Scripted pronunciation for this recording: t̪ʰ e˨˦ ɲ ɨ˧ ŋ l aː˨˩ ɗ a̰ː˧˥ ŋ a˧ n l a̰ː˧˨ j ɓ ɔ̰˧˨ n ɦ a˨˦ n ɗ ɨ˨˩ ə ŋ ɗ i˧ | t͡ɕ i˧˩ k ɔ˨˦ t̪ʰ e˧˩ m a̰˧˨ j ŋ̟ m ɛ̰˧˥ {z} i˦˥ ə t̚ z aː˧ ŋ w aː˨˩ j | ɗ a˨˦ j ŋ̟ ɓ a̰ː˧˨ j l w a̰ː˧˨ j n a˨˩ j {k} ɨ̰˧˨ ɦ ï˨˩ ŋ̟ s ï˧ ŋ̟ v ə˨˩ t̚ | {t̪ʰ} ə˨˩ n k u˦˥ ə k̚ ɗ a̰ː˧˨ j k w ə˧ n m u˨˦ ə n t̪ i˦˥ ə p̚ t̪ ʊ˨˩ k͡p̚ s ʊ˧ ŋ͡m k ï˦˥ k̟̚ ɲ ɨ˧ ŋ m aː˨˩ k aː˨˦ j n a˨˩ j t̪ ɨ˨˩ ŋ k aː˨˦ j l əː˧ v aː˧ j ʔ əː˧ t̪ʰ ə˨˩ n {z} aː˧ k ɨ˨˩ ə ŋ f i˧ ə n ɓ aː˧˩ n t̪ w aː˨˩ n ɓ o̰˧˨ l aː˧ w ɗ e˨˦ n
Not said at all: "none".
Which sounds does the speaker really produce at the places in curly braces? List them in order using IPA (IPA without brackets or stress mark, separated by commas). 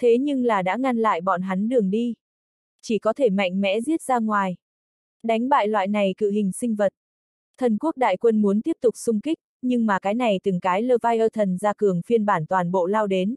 z, k, t̪ʰ, z